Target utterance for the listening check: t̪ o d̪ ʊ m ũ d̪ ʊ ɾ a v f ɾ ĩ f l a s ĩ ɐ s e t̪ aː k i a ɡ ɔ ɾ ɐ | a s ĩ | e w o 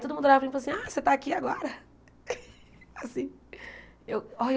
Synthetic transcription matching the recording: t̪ o d̪ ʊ m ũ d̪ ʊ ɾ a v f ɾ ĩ f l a s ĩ a s e t̪ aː k i a ɡ ɔ ɾ ɐ | a s ĩ | e w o